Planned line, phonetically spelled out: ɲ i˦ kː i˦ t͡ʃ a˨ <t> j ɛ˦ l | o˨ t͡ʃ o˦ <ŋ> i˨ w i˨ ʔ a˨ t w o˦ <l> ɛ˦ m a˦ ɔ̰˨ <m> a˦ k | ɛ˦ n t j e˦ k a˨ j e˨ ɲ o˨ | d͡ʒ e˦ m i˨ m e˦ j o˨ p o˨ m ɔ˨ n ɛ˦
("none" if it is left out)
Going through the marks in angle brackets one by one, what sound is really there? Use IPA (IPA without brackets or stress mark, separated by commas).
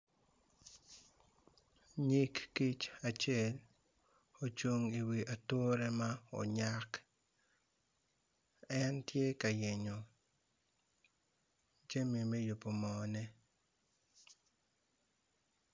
t͡ʃ, ŋ, ɾ, ɲ